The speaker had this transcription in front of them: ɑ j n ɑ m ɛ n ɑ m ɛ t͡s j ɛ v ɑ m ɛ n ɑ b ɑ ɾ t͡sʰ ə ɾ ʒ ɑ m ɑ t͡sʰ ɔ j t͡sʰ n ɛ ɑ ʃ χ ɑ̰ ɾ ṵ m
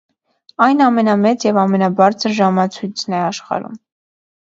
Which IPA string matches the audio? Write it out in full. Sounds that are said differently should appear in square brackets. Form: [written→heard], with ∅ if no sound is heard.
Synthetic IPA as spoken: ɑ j n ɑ m ɛ n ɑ m ɛ t͡s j ɛ v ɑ m ɛ n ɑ b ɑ ɾ t͡sʰ ə ɾ ʒ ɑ m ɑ t͡sʰ [ɔ→u] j t͡sʰ n ɛ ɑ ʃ χ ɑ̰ ɾ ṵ m